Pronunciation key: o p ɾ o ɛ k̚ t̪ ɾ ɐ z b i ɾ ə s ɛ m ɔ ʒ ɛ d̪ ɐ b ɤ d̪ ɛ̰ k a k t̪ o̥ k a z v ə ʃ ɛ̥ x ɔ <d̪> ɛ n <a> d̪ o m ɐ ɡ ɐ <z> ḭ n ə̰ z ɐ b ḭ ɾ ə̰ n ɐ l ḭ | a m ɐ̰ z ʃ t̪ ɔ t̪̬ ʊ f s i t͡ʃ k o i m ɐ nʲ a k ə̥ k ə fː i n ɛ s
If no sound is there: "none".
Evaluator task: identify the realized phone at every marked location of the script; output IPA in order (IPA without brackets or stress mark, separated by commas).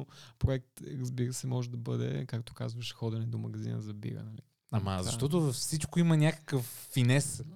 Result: d̪, ɛ, z